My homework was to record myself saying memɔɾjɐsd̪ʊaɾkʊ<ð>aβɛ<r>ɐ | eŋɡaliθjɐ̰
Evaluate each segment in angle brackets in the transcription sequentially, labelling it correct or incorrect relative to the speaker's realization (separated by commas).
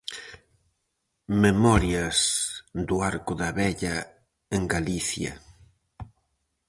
correct, incorrect